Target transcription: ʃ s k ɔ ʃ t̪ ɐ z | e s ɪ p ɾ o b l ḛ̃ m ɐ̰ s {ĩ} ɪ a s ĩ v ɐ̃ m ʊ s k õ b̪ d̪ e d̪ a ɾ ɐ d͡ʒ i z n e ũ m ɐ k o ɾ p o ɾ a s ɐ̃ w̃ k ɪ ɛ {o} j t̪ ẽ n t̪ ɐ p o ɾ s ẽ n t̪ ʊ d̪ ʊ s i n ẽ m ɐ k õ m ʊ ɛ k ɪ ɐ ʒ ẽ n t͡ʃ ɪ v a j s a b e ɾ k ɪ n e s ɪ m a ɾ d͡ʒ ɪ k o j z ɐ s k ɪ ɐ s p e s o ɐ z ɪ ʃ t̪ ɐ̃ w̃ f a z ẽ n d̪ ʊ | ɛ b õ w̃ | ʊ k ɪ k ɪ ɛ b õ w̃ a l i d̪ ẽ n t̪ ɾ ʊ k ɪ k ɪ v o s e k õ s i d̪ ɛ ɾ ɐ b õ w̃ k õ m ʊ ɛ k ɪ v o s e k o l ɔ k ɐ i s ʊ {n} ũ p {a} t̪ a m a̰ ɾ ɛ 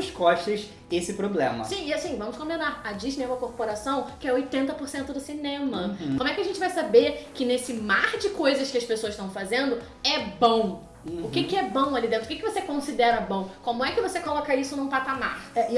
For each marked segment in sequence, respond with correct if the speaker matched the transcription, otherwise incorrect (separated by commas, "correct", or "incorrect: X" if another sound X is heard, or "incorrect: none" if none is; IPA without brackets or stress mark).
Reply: correct, correct, correct, correct